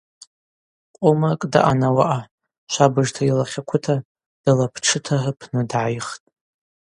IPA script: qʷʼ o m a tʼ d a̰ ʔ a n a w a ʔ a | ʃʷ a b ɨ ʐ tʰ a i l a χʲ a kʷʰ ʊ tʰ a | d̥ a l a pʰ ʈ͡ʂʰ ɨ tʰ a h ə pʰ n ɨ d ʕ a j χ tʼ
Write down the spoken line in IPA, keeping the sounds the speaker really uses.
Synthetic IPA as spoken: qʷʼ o m a kʼ d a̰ ʔ a n a w a ʔ a | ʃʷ a b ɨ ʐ tʰ a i l a χʲ a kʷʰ ʊ tʰ a | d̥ a l a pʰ ʈ͡ʂʰ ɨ tʰ a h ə pʰ n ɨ d ʕ a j χ tʼ